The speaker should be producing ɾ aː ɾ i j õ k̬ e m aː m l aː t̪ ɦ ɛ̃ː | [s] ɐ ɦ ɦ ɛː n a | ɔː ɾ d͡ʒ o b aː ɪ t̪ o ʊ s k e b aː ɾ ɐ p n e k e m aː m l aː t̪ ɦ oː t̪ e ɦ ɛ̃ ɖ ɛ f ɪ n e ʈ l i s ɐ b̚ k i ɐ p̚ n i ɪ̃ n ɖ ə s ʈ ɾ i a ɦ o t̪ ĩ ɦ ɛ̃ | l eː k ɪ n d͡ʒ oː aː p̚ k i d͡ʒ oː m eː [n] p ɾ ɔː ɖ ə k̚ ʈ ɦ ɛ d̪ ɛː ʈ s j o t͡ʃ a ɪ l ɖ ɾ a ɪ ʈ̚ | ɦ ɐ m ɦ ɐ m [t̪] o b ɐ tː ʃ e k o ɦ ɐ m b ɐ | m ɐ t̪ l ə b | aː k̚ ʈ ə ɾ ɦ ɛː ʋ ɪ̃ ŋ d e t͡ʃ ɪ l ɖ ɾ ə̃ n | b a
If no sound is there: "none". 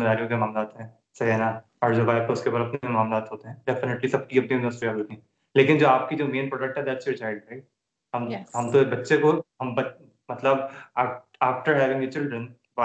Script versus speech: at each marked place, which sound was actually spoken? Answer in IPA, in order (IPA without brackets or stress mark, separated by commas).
s, n, t̪